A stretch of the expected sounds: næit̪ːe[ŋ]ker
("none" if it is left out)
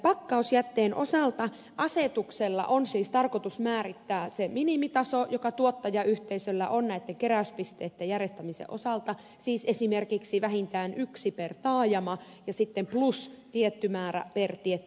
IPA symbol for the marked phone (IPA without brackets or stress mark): ŋ